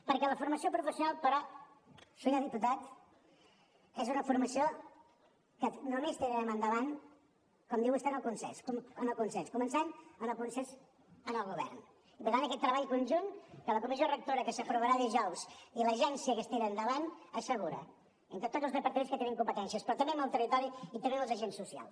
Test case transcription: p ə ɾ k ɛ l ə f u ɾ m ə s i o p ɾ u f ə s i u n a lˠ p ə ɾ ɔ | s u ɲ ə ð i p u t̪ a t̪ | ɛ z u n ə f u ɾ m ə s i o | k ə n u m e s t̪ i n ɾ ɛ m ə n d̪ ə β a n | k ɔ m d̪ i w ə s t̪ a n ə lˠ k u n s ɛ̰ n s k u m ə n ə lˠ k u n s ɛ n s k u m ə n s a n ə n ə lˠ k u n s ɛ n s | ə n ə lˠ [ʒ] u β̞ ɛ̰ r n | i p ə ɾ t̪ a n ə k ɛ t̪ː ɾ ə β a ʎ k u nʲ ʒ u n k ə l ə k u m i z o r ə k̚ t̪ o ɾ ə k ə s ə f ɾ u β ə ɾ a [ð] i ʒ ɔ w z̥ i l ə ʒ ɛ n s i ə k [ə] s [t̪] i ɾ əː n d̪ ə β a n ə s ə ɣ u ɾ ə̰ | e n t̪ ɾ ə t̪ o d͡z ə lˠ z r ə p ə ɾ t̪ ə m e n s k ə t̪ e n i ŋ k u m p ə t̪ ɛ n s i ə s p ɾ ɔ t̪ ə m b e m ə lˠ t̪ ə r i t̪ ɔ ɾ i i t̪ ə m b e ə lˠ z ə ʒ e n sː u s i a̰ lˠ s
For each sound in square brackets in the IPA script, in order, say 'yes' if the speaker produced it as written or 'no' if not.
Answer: no, yes, yes, yes

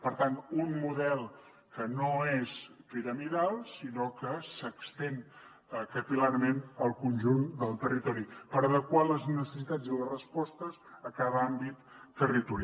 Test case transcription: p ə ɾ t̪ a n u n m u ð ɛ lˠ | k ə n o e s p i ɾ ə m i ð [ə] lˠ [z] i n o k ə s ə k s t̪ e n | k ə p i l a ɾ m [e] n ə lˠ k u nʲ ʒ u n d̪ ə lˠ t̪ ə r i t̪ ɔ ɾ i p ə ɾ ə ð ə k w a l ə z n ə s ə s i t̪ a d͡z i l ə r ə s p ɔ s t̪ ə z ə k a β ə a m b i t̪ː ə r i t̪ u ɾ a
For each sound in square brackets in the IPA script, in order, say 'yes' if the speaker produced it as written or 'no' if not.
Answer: no, no, yes

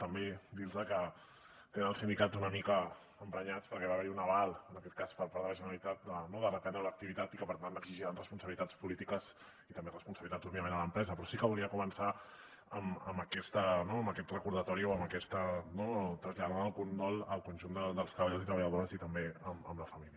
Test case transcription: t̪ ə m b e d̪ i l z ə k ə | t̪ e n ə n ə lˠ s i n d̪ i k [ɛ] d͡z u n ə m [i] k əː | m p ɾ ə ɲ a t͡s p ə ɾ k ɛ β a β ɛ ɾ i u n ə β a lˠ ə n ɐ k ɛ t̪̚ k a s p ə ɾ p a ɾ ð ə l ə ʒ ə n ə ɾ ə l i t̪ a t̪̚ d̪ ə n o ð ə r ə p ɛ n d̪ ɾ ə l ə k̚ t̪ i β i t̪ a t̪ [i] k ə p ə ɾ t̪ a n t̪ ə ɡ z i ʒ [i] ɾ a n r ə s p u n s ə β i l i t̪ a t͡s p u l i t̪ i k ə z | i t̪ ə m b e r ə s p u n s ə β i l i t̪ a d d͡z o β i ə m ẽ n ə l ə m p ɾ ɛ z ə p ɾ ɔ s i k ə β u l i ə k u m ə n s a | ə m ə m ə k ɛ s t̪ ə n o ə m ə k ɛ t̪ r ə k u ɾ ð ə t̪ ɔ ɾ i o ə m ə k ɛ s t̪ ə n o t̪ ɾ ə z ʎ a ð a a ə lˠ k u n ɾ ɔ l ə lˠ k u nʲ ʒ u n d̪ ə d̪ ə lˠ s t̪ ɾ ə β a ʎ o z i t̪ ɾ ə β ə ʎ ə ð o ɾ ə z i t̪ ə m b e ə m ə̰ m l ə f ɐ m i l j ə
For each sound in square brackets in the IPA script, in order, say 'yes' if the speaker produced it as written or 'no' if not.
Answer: no, yes, yes, yes

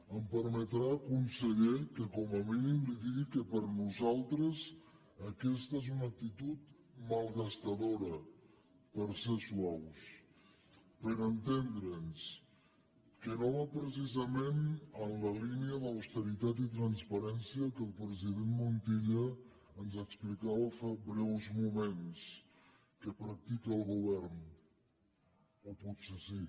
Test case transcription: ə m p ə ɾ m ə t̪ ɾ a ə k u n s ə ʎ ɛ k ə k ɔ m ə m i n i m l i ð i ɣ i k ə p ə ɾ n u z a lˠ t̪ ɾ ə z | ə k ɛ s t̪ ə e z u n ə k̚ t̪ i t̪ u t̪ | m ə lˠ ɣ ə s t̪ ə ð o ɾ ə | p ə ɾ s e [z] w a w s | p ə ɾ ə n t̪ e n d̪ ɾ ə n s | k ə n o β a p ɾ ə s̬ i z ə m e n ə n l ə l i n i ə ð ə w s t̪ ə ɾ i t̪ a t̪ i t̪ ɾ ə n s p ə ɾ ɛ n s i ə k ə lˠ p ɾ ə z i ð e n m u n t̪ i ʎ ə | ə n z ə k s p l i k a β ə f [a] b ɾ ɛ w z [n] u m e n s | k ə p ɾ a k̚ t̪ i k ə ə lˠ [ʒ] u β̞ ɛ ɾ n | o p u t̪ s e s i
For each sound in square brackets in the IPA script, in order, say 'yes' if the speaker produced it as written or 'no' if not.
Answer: no, yes, no, no

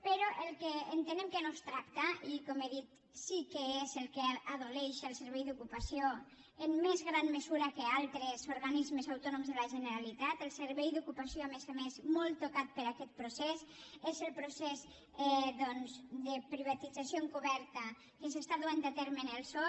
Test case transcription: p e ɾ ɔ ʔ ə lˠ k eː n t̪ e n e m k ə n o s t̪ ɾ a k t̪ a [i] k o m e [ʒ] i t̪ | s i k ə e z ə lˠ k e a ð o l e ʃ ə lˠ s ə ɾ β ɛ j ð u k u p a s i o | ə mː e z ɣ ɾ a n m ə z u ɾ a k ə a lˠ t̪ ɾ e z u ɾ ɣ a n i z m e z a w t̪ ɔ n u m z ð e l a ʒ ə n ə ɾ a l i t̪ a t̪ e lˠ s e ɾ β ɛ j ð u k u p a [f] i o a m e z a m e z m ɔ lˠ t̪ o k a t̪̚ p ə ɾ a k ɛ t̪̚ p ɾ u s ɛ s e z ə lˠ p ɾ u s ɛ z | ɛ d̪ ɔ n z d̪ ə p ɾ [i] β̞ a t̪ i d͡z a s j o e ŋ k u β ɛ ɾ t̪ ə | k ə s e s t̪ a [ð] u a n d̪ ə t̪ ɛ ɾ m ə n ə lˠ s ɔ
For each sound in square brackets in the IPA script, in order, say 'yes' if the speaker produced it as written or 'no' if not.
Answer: yes, no, no, yes, yes

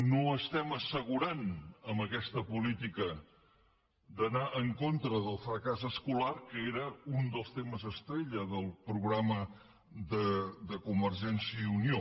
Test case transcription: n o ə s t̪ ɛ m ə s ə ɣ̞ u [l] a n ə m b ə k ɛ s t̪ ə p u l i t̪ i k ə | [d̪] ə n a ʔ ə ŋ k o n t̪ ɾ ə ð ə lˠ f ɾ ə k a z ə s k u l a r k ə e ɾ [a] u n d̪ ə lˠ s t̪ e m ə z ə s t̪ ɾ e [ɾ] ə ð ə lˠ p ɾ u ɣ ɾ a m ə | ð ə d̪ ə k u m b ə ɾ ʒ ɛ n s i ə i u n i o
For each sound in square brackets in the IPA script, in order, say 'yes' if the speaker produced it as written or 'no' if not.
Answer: no, yes, no, no

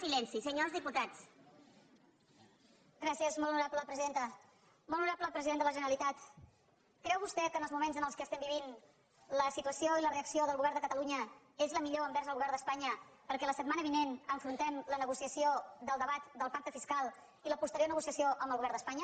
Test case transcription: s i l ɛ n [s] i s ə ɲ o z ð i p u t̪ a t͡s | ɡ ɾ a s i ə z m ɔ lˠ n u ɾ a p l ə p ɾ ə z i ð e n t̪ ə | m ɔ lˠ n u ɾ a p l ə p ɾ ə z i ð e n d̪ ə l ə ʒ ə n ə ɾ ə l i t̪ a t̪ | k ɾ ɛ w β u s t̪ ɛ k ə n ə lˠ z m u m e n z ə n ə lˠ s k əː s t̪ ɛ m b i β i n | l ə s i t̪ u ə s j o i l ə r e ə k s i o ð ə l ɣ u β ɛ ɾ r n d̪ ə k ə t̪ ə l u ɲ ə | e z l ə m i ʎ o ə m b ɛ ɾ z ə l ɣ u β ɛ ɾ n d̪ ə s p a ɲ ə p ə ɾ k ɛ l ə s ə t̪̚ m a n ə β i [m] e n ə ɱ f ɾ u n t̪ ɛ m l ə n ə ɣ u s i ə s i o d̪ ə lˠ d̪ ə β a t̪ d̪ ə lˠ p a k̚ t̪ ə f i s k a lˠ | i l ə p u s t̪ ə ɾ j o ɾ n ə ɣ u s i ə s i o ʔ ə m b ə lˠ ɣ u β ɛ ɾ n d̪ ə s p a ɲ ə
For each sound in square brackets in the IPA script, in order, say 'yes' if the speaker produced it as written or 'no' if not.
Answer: yes, no

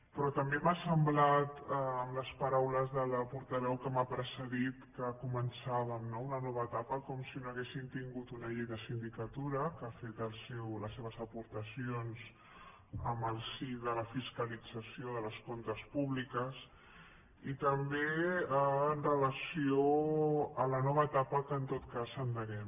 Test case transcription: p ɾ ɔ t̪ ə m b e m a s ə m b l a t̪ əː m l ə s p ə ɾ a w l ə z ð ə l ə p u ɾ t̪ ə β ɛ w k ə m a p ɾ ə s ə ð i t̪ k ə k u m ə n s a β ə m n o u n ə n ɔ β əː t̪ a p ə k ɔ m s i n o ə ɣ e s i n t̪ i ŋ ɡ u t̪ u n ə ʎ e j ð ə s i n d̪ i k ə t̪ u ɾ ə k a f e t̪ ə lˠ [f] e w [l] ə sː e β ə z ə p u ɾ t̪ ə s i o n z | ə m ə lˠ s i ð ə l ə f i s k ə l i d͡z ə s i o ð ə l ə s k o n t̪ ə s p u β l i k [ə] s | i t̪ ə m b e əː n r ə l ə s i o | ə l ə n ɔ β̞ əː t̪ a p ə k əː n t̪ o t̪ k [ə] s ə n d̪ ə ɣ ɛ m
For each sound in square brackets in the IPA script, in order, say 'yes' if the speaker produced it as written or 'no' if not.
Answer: no, yes, yes, no

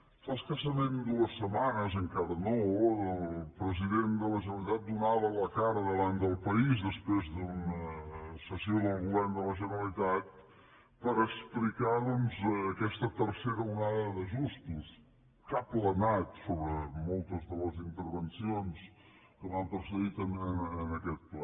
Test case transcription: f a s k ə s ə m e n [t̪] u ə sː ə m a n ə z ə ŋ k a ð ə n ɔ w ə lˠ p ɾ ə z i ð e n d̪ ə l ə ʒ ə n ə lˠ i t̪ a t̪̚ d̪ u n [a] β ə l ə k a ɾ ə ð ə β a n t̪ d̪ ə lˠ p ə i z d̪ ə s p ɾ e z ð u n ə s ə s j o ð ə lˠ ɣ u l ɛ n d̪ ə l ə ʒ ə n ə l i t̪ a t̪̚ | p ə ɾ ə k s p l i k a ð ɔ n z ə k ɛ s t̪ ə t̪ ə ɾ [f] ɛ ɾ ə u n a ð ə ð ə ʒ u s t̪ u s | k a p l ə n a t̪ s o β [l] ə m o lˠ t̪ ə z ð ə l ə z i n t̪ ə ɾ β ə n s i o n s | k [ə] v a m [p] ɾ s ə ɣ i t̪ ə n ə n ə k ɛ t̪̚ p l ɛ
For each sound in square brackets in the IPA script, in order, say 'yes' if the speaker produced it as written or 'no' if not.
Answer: no, yes, no, no, yes, yes

